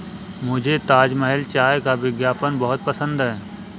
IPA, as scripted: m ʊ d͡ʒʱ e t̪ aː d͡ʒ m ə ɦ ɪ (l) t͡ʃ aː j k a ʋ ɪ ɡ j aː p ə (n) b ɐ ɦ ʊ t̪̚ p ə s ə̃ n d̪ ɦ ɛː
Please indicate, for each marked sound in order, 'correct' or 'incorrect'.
correct, correct

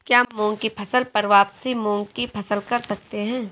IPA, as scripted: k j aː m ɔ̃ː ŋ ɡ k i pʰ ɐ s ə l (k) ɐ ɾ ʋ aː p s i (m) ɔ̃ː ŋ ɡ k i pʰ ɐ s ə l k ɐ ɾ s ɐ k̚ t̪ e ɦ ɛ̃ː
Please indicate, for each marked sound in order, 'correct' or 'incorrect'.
incorrect: p, correct

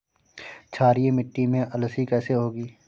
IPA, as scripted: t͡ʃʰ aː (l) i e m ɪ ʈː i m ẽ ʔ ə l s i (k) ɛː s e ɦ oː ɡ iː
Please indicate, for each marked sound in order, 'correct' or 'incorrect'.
incorrect: ɾ, correct

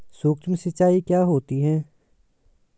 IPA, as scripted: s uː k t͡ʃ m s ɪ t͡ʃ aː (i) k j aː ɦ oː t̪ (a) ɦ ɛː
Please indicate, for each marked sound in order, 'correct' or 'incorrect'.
correct, incorrect: i

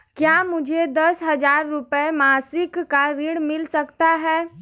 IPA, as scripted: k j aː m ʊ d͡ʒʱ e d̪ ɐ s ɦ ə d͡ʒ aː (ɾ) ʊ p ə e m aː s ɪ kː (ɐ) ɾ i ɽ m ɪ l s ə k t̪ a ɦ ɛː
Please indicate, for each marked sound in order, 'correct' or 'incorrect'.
incorrect: ɾː, incorrect: a

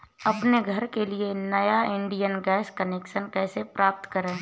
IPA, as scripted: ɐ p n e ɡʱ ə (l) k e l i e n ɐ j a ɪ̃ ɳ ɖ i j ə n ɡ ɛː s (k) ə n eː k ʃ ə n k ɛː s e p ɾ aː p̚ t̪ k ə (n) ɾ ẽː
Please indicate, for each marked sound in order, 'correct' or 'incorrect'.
incorrect: ɾ, correct, incorrect: none

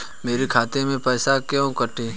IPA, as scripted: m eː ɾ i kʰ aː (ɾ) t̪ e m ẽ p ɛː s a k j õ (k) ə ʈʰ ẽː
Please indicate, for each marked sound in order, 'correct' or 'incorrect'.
incorrect: none, correct

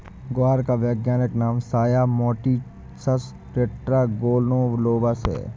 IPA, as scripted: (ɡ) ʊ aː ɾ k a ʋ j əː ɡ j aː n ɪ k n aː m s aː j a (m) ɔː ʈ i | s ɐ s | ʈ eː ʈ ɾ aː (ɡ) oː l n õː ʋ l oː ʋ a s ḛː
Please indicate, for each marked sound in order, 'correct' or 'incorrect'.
correct, correct, correct

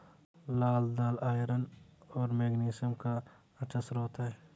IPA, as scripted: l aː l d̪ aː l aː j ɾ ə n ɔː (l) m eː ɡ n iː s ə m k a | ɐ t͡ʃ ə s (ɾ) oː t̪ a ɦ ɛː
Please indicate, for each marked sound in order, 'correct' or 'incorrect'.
incorrect: ɾ, correct

